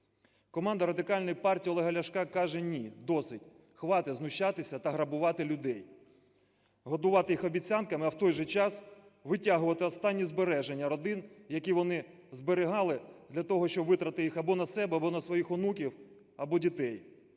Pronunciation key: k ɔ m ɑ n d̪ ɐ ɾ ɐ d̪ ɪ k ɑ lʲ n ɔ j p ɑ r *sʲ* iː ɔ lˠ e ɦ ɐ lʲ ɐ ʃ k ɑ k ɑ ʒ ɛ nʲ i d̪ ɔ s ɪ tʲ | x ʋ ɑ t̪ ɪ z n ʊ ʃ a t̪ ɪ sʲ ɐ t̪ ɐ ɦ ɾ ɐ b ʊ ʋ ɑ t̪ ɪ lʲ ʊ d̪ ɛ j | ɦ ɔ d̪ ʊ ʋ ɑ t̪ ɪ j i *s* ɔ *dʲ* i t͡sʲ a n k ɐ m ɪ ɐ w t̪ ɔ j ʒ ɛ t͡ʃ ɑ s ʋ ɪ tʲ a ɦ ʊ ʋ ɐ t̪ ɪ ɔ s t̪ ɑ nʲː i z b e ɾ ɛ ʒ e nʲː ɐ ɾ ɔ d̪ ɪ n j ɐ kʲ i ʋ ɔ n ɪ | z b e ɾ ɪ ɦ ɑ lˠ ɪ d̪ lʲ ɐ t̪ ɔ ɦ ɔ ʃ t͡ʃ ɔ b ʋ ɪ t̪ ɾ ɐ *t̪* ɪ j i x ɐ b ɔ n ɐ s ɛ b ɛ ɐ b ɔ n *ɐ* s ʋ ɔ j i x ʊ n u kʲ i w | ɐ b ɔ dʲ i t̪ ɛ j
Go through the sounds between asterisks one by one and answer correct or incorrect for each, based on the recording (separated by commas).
incorrect, incorrect, incorrect, correct, correct